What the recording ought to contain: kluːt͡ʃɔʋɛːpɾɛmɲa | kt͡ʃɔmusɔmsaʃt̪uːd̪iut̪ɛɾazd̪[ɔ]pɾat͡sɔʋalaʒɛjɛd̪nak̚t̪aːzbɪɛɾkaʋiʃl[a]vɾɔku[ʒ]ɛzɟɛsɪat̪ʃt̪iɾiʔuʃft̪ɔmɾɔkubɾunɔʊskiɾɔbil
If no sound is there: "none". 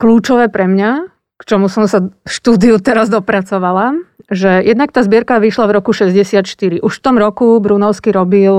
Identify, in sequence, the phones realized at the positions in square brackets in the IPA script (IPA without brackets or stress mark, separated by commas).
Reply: ɔ, a, ʃ